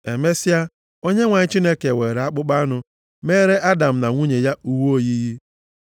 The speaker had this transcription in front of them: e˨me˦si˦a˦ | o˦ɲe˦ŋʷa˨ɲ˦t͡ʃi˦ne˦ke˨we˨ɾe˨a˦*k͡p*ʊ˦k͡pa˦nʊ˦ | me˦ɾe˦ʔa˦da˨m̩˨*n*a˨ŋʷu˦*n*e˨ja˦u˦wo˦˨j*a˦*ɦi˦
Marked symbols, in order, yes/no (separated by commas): yes, yes, no, no